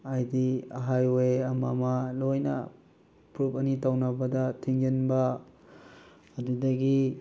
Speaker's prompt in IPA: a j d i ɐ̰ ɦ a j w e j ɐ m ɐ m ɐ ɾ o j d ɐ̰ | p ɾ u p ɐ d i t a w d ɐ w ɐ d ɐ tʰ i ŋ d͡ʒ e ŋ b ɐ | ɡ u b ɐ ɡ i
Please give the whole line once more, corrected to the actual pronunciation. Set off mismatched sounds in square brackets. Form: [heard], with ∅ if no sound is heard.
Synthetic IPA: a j d i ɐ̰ ɦ a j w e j ɐ m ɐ m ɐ [l] o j [n] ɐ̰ | p ɾ u p ɐ [n] i t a w [n] ɐ [b] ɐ d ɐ tʰ i ŋ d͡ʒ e [n] b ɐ | [d] u [d] ɐ ɡ i

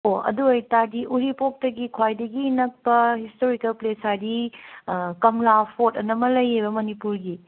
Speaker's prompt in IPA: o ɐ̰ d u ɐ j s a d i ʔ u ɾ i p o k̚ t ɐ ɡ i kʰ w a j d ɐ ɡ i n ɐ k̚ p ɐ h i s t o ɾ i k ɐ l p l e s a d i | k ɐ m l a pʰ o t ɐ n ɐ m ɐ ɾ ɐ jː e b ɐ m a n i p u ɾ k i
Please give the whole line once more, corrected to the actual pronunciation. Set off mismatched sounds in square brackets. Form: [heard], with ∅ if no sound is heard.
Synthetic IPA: o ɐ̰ d u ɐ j [t] a d i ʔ u ɾ i p o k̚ t ɐ ɡ i kʰ w a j d ɐ ɡ i n ɐ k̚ p ɐ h i s t o ɾ i k ɐ l p l e s a d i | k ɐ m l a pʰ o t ɐ n ɐ m ɐ [l] ɐ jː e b ɐ m [ɐ] n i p u ɾ [ɡ] i

